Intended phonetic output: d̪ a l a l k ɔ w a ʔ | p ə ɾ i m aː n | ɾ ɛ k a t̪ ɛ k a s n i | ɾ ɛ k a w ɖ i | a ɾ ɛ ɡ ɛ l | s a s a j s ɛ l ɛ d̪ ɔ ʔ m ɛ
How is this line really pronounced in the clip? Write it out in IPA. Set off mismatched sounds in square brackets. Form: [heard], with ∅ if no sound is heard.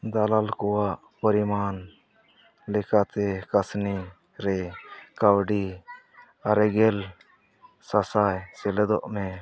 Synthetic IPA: d̪ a l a l k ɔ w a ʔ | p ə ɾ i m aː n | [l] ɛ k a t̪ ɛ k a s n i | ɾ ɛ k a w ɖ i | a ɾ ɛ ɡ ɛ l | s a s a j s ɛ l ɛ d̪ ɔ ʔ m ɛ